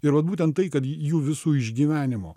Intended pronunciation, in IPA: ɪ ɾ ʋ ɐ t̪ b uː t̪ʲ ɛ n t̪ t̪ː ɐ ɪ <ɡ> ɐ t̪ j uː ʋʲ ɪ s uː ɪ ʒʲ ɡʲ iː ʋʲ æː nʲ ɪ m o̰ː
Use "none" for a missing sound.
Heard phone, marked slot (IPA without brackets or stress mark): k